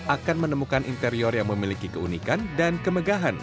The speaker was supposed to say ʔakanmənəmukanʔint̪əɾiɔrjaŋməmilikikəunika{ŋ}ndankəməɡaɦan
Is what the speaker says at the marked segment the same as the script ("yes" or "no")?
no